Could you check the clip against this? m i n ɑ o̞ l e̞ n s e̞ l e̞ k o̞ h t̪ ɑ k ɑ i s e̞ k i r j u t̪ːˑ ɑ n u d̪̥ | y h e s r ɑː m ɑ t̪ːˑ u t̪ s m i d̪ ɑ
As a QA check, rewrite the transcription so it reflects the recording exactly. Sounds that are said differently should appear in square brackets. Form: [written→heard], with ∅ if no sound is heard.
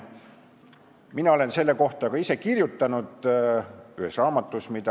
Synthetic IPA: m i n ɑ o̞ l e̞ n s e̞ [l→lː] e̞ k o̞ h t̪ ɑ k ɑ i s e̞ k i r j u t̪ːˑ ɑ n u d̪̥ | y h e s r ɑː m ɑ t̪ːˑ u [t̪→∅] s m i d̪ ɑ

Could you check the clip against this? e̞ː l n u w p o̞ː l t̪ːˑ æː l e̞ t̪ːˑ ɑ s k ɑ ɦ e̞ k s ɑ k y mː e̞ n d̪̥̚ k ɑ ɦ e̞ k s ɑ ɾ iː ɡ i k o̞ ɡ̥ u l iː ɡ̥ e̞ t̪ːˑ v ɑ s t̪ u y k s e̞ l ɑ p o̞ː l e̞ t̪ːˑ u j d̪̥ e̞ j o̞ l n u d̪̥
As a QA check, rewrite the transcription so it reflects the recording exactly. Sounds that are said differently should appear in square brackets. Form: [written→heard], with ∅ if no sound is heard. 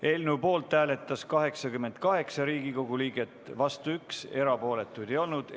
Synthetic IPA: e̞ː l n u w p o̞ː l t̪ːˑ æː l e̞ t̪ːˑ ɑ s k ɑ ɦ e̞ k s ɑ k y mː e̞ n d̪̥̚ k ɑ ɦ e̞ k s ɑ ɾ iː ɡ i k o̞ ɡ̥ u l iː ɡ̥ e̞ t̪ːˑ v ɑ s t̪ u y k s e̞ [l→ɾ] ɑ p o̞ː l e̞ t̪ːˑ u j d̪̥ e̞ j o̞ l n u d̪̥

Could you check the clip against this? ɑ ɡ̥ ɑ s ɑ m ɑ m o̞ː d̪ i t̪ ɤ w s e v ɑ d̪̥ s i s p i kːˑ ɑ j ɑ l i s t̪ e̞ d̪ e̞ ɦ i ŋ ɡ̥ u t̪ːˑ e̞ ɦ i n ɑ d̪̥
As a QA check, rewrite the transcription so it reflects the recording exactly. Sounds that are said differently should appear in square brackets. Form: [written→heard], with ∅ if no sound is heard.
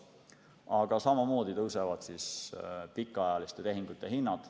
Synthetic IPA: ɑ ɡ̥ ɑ s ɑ m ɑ m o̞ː d̪ i t̪ ɤ w s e v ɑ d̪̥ s i s p i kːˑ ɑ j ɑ l i s t̪ e̞ [d̪→t̪] e̞ ɦ i ŋ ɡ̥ u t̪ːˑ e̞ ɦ i [n→nː] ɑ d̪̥

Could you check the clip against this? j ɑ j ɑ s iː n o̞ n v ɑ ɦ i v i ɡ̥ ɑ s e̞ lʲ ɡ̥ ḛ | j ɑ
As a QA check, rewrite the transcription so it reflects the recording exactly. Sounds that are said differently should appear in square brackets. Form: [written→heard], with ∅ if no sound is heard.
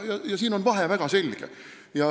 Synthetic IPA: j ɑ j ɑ s iː n o̞ n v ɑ ɦ [i→e] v [i→æ] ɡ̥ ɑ s e̞ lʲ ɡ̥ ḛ | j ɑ

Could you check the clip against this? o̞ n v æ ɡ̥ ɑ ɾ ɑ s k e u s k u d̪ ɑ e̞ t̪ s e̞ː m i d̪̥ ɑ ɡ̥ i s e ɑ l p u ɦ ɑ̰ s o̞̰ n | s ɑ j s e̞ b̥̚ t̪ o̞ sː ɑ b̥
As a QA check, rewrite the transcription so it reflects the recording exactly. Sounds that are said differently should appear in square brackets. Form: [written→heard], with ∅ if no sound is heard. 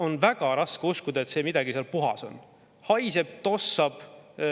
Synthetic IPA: o̞ n v æ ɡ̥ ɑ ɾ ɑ s k e u s k u d̪ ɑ e̞ t̪ s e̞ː m i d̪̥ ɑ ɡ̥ i s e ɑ l p u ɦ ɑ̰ s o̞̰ n | [s→h] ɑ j s e̞ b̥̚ t̪ o̞ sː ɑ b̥

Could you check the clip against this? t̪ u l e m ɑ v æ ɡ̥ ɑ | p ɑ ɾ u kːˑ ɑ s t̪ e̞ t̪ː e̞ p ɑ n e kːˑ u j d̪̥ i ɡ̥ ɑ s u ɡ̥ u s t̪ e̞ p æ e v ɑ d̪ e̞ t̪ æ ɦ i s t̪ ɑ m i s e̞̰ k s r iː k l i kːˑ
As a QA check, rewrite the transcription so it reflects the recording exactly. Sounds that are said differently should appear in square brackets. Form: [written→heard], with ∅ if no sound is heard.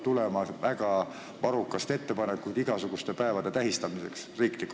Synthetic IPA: t̪ u l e m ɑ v æ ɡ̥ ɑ | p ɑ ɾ u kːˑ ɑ s t̪ e̞ t̪ː e̞ p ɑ n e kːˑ u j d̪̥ i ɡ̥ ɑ s u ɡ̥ u s t̪ e̞ p æ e v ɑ d̪ e̞ t̪ æ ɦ i s t̪ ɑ m i s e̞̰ k s r iː k l i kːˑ

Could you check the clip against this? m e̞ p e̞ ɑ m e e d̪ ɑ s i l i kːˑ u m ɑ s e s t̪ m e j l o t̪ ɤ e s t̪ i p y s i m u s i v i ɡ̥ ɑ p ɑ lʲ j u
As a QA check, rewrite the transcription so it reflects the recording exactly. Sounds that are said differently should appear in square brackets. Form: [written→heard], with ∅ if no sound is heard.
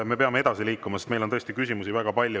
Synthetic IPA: m e̞ p e̞ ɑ m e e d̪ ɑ s i l [i→iː] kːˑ u m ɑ s e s t̪ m e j l o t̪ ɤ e s t̪ i [p→k] y s i m u s i v [i→æ] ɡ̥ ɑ p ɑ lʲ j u

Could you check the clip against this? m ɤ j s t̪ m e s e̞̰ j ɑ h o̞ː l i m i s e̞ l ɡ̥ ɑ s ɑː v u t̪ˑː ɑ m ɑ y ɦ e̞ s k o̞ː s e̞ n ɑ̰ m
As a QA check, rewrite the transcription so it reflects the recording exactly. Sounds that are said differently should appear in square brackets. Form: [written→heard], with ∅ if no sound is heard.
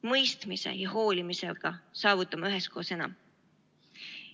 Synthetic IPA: m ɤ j s t̪ m [e→i] s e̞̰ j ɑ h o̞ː l i m i s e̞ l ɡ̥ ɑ s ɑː v u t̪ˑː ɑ m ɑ y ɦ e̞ s k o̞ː s e̞ n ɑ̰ m

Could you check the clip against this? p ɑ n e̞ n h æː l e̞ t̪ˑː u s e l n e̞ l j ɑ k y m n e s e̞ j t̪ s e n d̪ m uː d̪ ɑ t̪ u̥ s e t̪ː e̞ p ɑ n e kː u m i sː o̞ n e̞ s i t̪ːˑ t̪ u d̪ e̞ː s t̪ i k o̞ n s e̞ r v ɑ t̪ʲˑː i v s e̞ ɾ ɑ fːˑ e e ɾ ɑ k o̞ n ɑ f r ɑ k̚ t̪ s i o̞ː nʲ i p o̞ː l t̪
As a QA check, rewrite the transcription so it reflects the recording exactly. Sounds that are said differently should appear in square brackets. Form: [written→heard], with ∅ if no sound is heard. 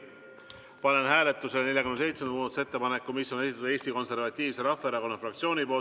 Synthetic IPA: p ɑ n e̞ n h æː l e̞ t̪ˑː u s e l n e̞ l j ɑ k y m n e s e̞ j t̪ s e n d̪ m uː d̪ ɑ t̪ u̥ s e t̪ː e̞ p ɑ n e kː u m i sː o̞ n e̞ s i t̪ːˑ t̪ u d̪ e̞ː s t̪ i k o̞ n s e̞ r v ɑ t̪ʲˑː [i→iː] v s e̞ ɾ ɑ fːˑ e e ɾ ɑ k o̞ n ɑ f r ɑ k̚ t̪ s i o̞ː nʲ i p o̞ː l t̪

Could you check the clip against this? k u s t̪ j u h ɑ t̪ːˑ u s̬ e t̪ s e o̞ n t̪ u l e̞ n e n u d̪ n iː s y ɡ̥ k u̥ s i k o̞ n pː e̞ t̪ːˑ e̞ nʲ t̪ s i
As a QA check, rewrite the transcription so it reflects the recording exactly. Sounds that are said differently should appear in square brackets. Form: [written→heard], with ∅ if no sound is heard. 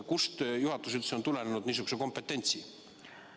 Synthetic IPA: k u s t̪ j u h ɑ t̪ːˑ u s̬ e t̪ s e o̞ n t̪ u l e̞ n e n u d̪ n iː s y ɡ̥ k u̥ s [i→e] k o̞ [n→m] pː e̞ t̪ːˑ e̞ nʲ t̪ s i

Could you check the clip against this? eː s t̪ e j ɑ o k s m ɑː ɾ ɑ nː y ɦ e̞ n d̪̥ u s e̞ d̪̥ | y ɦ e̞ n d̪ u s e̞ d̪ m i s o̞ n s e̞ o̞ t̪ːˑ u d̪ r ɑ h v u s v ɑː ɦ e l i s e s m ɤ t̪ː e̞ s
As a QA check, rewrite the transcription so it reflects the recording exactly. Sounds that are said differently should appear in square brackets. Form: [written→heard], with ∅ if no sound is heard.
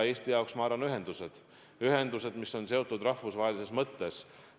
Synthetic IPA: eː s t̪ [e→i] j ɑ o k s m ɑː ɾ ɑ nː y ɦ e̞ n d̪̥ u s e̞ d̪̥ | y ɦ e̞ n d̪ u s e̞ d̪ m i s o̞ n s e̞ o̞ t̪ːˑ u d̪ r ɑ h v u s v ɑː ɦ e l i s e s m ɤ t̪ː e̞ s

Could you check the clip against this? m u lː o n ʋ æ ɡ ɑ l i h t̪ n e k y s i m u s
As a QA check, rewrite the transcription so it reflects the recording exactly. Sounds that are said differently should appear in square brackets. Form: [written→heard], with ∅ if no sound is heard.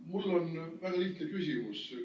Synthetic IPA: m u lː o n ʋ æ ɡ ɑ l i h t̪ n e k y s i m u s

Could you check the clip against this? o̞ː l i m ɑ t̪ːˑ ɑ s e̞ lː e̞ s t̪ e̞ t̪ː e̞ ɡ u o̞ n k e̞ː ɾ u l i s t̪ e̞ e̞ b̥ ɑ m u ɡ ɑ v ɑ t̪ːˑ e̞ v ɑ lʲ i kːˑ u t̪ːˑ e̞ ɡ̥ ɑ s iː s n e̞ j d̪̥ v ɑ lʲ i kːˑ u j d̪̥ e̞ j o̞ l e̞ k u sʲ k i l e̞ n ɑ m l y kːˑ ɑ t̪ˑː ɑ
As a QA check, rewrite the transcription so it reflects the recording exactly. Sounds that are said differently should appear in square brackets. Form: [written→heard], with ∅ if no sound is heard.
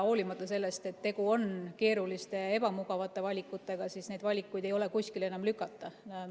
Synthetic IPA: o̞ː l i m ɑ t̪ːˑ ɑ s e̞ lː e̞ s t̪ e̞ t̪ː e̞ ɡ u o̞ n k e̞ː ɾ u l i s t̪ e̞ e̞ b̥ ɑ m u ɡ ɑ v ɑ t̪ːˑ e̞ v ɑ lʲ i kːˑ u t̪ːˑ e̞ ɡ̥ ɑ s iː s n e̞ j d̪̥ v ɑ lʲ i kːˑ u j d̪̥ e̞ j o̞ l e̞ k u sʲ k i l e̞ n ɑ m l y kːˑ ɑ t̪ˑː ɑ

